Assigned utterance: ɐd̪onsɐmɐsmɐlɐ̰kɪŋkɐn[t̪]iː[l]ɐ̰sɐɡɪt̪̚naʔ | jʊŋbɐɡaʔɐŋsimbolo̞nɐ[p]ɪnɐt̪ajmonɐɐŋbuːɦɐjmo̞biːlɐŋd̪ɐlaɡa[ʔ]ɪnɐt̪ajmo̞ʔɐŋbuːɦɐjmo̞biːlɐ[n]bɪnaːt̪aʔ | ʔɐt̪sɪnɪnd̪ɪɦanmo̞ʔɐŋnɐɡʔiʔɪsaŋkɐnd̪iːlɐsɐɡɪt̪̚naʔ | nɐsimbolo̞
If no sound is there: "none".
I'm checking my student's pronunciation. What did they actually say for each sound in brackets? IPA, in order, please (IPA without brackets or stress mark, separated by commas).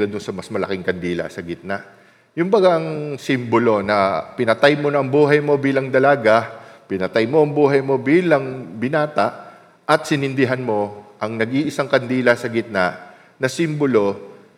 d̪, l, p, p, ŋ